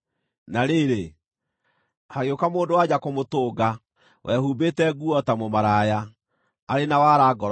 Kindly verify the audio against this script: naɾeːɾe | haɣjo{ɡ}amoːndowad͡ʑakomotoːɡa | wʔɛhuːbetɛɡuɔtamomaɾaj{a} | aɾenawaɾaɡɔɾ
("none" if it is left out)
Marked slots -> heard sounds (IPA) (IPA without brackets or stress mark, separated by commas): k, a